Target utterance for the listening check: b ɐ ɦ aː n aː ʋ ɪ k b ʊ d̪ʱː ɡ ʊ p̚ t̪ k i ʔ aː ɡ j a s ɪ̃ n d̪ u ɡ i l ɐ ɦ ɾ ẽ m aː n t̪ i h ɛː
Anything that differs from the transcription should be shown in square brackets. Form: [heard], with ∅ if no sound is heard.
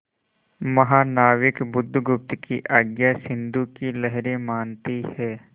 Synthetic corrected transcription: [m] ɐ ɦ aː n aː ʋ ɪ k b ʊ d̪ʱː ɡ ʊ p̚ t̪ k i ʔ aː ɡ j a s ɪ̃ n d̪ u [k] i l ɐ ɦ ɾ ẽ m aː n t̪ i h ɛː